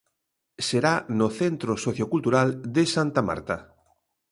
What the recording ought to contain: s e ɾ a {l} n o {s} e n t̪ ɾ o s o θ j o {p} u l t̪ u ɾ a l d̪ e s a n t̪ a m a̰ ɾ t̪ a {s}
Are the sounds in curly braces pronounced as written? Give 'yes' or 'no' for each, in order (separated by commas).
no, no, no, no